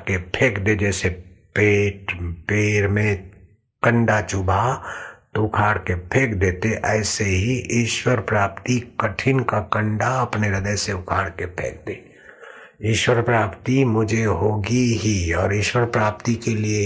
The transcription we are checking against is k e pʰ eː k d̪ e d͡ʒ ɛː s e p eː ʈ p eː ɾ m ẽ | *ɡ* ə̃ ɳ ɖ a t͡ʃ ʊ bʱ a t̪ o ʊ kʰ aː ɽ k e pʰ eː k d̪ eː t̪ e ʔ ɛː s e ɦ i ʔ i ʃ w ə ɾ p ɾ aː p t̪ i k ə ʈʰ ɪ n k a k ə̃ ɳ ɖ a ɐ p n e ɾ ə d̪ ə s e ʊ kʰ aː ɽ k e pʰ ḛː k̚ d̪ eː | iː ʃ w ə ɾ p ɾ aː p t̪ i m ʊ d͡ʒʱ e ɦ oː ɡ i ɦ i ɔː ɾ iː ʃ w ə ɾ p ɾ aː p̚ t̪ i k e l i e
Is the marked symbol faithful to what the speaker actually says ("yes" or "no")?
no